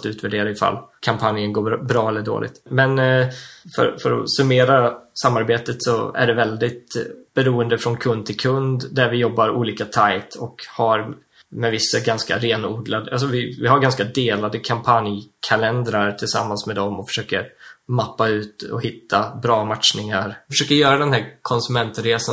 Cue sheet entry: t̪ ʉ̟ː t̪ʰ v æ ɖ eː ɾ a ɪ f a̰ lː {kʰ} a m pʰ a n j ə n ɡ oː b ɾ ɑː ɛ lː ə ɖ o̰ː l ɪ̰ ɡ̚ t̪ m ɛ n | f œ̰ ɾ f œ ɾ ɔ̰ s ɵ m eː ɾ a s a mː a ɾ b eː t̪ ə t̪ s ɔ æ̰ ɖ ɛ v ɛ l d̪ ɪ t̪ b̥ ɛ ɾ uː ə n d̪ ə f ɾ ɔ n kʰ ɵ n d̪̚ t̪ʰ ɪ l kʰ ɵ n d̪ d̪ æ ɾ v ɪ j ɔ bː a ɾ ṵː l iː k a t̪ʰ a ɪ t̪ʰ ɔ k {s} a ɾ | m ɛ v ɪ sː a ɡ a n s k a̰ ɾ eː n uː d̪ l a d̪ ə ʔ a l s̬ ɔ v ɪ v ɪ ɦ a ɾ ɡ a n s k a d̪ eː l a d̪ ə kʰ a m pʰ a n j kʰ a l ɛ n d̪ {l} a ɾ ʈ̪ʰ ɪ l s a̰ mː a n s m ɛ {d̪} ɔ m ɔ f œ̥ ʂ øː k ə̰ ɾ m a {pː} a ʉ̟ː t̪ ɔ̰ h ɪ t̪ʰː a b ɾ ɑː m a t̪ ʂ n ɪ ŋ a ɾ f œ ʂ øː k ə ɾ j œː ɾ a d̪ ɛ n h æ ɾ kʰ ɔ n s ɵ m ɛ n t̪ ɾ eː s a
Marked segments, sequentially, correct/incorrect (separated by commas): correct, incorrect, incorrect, correct, correct